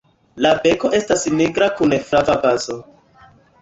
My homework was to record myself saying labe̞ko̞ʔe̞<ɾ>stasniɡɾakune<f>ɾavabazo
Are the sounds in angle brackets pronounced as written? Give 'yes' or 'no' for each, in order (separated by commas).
no, yes